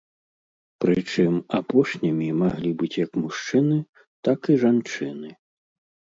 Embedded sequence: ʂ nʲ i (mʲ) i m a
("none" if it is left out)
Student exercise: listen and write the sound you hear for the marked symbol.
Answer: mʲ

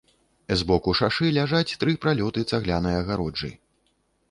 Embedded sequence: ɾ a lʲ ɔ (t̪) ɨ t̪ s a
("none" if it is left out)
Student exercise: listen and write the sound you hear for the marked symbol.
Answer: t̪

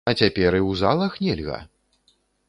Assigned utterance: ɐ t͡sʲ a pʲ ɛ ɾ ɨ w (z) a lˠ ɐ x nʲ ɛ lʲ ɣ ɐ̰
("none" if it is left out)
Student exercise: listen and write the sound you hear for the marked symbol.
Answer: z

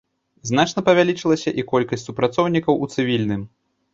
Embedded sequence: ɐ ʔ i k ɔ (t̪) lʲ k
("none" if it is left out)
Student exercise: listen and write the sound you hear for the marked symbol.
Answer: none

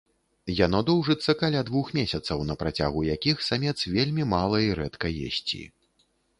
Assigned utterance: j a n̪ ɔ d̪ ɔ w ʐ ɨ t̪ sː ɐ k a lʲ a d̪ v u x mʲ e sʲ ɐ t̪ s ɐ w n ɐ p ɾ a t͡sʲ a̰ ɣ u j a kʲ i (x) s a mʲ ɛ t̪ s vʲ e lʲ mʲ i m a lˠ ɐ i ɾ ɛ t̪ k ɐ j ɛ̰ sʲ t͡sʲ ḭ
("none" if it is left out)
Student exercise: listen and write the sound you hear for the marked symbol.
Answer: x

